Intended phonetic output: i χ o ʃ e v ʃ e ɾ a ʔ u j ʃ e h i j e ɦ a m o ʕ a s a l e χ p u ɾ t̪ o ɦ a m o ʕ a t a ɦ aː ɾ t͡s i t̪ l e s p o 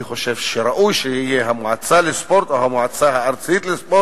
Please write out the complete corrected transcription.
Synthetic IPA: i χ o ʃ e v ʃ e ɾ a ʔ u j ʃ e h i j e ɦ a m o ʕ a t͡s a l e s p o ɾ t̪ o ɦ a m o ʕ a t͡s a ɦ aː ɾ t͡s i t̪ l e s p o

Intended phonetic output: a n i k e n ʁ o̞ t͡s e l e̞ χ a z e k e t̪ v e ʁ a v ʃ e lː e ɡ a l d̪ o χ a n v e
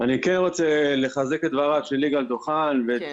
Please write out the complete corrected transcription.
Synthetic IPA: a n i k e n ʁ o̞ t͡s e l e̞ χ a z e k e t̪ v a ʁ a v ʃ e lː i ɡ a l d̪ o χ a n v e

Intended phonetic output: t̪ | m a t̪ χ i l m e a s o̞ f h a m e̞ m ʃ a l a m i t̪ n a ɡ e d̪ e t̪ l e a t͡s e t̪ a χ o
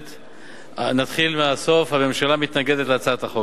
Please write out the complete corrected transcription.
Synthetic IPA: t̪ | n a t̪ χ i l m e a s o̞ f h a m e̞ m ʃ a l a m i t̪ n a ɡ e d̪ e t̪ l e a t͡s a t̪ a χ o

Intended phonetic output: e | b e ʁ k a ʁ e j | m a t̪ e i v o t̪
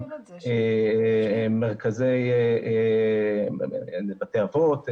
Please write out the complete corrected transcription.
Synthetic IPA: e | m e ʁ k a z e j | b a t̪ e a v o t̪

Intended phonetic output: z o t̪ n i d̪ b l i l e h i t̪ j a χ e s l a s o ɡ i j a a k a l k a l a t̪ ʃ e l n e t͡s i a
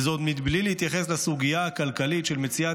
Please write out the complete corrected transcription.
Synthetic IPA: z o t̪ m i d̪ b l i l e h i t̪ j a χ e s l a s u ɡ i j a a k a l k a l i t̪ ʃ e l m e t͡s i a

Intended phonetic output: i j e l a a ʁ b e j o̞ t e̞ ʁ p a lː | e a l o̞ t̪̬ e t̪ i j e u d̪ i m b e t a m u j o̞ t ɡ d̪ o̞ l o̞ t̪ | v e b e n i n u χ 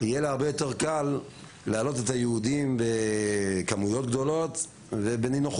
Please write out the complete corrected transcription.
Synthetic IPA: i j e l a a ʁ b e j o̞ t e̞ ʁ k a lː | e a l o̞ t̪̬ e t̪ a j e u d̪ i m b e k a m u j o̞ t ɡ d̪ o̞ l o̞ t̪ | v e b e n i n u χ

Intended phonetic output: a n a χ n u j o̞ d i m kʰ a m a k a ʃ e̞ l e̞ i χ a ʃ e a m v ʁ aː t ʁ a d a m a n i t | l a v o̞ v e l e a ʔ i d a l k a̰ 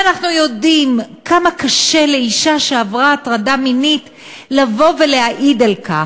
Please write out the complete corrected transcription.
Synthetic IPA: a n a χ n u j o̞ d i m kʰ a m a k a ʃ e̞ l e̞ i ʃ a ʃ e a v ʁ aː t ʁ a d a m i n i t | l a v o̞ v e l e a ʔ i d a l k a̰

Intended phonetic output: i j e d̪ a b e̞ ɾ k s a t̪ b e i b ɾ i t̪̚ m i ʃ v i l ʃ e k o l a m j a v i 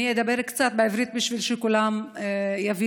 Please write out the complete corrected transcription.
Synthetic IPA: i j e d̪ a b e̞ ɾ k t͡s a t̪ b e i v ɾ i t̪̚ b i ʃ v i l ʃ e k u l a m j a v i

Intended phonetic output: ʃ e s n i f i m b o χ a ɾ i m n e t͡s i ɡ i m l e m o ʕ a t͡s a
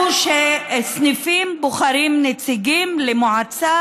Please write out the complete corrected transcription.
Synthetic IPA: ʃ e s n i f i m b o χ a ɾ i m n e t͡s i ɡ i m l e m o ʕ a t͡s a

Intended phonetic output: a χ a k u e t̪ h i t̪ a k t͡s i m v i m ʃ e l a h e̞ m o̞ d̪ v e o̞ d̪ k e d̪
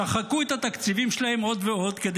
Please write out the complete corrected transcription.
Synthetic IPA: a χ a k u e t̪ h a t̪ a k t͡s i v i m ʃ e l a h e̞ m o̞ d̪ v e o̞ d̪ k e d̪

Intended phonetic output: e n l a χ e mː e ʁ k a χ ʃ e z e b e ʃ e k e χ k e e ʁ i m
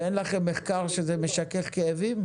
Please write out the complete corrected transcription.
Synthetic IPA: e n l a χ e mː e χ k a ʁ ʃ e z e m e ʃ a k e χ k e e v i m

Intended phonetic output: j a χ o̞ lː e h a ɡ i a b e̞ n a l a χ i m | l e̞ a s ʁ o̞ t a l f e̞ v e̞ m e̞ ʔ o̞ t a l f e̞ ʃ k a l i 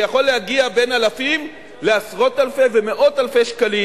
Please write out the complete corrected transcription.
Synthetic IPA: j a χ o̞ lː e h a ɡ i a b e̞ n a l a f i m | l e̞ a s ʁ o̞ t a l f e̞ v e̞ m e̞ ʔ o̞ t a l f e̞ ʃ k a l i

